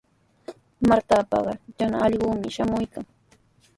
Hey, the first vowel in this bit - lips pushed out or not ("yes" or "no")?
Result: no